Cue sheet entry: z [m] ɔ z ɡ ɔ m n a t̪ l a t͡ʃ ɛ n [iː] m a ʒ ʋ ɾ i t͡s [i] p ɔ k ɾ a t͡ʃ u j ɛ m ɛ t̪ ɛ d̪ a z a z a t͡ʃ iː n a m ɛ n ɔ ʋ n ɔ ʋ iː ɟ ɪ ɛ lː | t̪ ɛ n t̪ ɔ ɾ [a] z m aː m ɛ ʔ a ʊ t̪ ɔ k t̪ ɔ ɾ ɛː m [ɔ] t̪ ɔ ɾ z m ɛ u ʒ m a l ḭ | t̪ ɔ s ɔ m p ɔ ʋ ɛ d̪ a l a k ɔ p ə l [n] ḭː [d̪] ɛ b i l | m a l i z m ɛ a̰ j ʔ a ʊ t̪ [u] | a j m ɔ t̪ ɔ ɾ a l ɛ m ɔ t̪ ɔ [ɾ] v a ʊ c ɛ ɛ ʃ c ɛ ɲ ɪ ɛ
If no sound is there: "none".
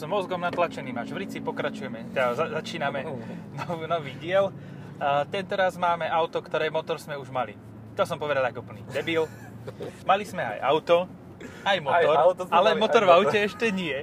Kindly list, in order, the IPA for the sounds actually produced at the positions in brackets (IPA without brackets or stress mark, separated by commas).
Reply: m, iː, i, a, ɔ, n, d̪, ɔ, ɾ